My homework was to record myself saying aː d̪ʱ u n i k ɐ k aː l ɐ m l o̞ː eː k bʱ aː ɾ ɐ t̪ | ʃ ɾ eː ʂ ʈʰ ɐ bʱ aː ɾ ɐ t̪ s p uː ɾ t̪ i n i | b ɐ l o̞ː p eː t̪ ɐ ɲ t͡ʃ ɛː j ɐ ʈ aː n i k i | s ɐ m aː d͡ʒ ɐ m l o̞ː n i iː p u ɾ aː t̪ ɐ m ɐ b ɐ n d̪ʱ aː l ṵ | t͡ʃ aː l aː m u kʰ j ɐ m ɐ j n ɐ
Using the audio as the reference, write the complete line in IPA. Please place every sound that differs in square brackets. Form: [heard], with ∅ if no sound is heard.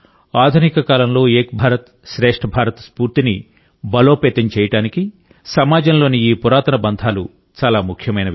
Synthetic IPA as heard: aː d̪ʱ u n i k ɐ k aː l ɐ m l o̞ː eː k bʱ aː ɾ ɐ t̪ | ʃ ɾ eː ʂ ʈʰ ɐ bʱ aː ɾ ɐ t̪ s p uː ɾ t̪ i n i | b ɐ l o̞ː p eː t̪ ɐ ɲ t͡ʃ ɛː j ɐ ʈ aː n i k i | s ɐ m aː d͡ʒ ɐ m l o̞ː n i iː p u ɾ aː t̪ ɐ [n] ɐ b ɐ n d̪ʱ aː l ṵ | t͡ʃ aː l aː m u kʰ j ɐ m ɐ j n ɐ